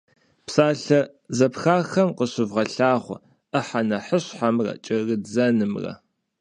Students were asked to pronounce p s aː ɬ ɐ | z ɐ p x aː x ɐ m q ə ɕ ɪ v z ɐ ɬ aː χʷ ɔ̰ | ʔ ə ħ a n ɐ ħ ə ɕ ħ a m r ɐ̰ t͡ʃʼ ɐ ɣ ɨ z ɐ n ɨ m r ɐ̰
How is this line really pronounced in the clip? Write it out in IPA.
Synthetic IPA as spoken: p s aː ɬ ɐ | z ɐ p x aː x ɐ m q ə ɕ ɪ v ʁ ɐ ɬ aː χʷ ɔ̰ | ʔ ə ħ a n ɐ ħ ə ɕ ħ a m r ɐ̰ t͡ʃʼ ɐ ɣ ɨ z ɐ n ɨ m r ɐ̰